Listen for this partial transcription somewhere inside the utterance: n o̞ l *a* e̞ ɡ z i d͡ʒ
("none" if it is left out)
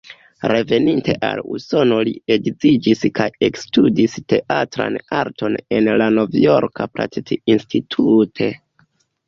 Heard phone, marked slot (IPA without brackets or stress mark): i